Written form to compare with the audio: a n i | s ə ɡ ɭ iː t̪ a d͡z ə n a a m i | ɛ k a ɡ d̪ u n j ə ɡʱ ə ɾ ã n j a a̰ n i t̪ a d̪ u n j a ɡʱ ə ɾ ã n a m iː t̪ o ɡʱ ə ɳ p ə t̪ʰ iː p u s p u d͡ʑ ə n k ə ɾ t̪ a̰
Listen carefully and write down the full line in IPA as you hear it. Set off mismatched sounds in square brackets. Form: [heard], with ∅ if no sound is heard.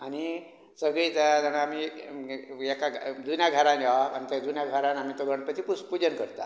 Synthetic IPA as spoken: a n i | s ə ɡ ɭ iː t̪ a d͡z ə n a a m i | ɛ k a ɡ d̪ u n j [a] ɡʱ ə ɾ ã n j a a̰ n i t̪ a d̪ u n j a ɡʱ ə ɾ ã n a m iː t̪ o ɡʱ ə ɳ p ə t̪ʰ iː p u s p u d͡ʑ ə n k ə ɾ t̪ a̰